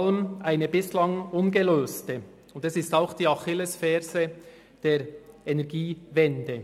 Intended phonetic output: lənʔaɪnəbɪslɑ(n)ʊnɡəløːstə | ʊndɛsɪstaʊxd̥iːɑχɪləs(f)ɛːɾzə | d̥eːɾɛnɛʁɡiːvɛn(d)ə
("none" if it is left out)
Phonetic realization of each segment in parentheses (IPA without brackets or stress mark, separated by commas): ŋ, f, d